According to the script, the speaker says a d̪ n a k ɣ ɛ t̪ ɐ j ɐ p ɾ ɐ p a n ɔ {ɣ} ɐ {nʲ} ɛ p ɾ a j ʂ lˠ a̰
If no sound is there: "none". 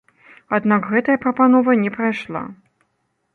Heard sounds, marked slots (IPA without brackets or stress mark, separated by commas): v, nʲ